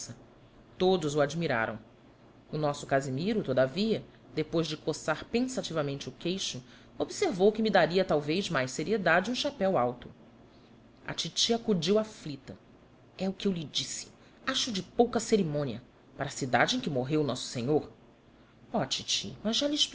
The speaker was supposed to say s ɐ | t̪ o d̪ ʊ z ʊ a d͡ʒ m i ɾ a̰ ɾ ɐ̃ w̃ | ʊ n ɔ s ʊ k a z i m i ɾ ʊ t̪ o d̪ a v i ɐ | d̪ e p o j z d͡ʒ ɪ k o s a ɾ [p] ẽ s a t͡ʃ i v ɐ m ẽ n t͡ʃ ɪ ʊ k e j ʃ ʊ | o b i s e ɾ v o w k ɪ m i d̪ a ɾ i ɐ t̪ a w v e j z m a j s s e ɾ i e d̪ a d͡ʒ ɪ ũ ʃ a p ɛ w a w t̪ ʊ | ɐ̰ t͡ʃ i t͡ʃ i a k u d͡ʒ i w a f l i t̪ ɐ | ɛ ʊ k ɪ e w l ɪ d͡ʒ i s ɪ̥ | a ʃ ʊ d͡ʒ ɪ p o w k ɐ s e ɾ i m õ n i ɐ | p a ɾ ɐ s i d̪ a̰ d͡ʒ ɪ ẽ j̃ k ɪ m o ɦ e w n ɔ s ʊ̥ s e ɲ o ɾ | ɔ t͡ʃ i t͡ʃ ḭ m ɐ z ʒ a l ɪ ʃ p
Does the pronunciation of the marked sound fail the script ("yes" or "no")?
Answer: no